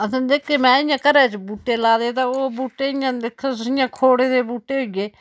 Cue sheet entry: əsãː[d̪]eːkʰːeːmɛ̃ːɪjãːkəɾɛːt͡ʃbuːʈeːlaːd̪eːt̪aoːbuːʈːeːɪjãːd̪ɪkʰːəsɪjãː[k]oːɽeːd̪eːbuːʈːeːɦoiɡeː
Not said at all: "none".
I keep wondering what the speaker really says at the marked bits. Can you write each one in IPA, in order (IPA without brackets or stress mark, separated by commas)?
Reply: d̪, kʰ